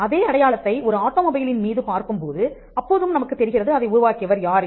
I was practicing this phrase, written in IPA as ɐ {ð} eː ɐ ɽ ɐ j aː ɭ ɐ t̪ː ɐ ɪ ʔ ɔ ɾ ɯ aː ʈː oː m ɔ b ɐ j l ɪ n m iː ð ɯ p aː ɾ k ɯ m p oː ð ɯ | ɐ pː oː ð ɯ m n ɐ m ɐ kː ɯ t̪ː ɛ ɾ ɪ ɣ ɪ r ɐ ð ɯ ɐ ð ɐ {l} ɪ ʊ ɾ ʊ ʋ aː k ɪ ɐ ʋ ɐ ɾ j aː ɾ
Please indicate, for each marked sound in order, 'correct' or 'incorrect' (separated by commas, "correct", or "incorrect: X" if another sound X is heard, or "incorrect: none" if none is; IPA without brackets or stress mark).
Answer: correct, incorrect: none